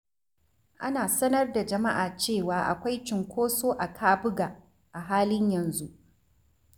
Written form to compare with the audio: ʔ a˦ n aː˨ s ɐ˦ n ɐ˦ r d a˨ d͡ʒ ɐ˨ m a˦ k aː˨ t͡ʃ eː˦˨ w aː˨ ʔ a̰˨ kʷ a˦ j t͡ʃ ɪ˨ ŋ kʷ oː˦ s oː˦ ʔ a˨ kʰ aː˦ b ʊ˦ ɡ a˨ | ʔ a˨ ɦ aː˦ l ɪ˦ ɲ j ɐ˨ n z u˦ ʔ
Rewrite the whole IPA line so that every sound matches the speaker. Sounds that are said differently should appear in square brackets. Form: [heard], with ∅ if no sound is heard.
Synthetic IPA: ʔ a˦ n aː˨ s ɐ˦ n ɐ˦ r d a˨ d͡ʒ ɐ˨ m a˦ [ʔ] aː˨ t͡ʃ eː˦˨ w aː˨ ʔ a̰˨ kʷ a˦ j t͡ʃ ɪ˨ ŋ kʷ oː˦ s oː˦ ʔ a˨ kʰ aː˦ b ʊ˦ ɡ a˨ | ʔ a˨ ɦ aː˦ l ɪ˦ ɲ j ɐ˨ n z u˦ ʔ